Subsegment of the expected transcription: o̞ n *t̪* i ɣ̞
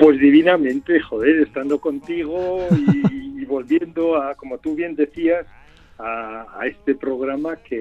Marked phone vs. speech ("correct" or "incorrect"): correct